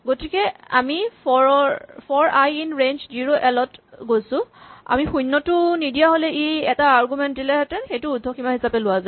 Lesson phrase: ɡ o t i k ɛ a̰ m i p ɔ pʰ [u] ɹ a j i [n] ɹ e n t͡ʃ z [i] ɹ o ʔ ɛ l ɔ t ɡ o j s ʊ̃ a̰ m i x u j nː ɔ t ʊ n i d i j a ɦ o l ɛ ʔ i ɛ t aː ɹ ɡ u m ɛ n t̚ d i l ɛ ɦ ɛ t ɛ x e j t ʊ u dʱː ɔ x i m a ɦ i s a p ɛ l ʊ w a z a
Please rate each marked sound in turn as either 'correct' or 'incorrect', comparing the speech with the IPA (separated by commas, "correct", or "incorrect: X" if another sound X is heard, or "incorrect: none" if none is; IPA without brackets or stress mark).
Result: incorrect: ɔ, correct, correct